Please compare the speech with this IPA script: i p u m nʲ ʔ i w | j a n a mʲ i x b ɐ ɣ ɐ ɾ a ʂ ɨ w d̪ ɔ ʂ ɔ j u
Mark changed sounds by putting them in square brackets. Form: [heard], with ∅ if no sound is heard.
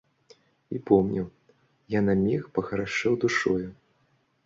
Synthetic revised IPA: i p [ɔ] m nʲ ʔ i w | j a n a mʲ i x [p] ɐ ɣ ɐ ɾ a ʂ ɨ w d̪ [u] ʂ ɔ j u